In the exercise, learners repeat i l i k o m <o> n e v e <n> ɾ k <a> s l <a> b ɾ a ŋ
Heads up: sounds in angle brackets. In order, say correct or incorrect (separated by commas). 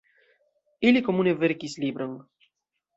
incorrect, incorrect, incorrect, incorrect